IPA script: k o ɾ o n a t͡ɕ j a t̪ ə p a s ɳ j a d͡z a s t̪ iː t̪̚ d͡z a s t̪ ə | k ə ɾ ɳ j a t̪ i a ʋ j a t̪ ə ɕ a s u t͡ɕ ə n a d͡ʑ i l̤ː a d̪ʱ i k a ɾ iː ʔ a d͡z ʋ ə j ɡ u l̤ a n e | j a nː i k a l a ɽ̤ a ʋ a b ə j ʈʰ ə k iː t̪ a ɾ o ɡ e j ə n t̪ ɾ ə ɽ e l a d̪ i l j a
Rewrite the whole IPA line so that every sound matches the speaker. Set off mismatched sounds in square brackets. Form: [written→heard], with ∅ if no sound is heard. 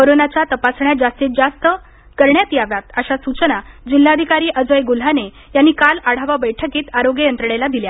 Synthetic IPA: k o ɾ o n a t͡ɕ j a t̪ ə p a s ɳ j a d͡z a s t̪ iː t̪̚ d͡z a s t̪ ə | k ə ɾ ɳ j a t̪ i a ʋ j a t̪ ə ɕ a s u t͡ɕ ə n a d͡ʑ i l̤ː a d̪ʱ i k a ɾ iː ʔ [a→ə] d͡z ʋ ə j ɡ u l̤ a n e | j a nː i k a l a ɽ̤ a ʋ a b ə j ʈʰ ə k iː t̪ a ɾ o ɡ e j ə n t̪ ɾ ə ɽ e l a d̪ i l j a